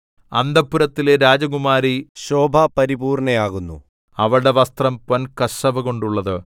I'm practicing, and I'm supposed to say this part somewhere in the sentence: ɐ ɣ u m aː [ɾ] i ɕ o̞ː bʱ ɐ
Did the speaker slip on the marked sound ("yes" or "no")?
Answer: no